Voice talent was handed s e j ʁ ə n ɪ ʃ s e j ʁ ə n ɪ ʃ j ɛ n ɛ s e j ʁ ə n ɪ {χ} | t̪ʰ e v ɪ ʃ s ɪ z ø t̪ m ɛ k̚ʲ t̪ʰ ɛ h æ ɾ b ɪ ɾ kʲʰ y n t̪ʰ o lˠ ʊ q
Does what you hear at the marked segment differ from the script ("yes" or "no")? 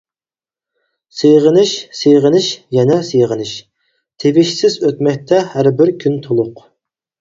yes